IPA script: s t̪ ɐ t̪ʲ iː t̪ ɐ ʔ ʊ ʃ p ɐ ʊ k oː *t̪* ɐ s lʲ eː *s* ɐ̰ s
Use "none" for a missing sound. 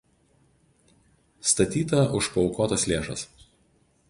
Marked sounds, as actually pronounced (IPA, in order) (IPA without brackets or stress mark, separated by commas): t̪, ʃ